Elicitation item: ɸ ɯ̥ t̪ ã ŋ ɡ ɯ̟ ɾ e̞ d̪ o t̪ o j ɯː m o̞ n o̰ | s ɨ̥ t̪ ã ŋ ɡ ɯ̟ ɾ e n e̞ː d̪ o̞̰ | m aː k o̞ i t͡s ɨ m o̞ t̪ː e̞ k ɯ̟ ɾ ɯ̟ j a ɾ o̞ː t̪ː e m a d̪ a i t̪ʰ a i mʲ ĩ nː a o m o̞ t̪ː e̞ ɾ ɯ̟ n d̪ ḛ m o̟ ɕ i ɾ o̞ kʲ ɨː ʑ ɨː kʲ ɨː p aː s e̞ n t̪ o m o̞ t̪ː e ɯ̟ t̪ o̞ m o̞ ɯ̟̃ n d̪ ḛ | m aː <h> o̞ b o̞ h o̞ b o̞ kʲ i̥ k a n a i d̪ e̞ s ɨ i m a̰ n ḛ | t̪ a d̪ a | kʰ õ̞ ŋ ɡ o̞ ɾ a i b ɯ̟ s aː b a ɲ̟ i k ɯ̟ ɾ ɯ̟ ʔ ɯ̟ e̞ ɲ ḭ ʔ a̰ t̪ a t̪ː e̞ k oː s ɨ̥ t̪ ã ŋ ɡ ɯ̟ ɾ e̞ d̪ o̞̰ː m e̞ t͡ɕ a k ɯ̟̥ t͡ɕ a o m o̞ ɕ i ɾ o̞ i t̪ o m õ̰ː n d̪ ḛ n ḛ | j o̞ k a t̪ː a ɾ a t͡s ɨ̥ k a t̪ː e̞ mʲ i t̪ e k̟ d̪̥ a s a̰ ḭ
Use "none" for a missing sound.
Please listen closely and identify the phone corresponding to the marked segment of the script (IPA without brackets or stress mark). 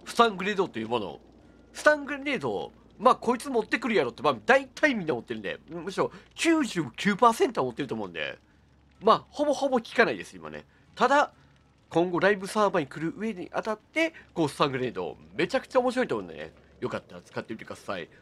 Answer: h